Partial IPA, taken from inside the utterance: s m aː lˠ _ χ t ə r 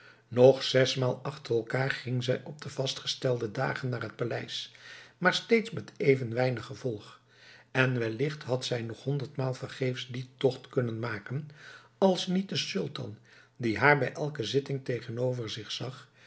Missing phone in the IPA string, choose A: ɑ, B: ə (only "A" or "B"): A